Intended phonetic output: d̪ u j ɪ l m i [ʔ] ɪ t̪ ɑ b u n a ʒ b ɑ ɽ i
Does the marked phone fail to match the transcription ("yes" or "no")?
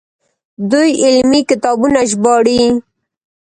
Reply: yes